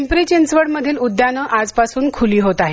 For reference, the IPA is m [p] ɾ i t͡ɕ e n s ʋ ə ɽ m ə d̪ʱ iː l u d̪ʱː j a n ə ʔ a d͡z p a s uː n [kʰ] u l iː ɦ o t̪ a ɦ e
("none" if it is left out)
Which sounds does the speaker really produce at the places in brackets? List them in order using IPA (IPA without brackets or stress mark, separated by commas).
p, kʰ